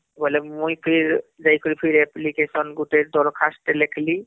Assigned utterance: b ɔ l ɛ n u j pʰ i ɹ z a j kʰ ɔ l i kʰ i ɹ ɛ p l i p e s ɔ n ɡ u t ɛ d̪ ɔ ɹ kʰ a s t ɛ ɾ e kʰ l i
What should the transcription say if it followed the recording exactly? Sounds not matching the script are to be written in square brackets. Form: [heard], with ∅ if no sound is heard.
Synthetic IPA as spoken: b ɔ l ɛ [m] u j pʰ i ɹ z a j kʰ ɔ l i [pʰ] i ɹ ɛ p l i [k] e s ɔ n ɡ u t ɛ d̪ ɔ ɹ kʰ a s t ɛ [l] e kʰ l i